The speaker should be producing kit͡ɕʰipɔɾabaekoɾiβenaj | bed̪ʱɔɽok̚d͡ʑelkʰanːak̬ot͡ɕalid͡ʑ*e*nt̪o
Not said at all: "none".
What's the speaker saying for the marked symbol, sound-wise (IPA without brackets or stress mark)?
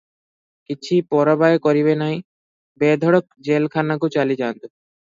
a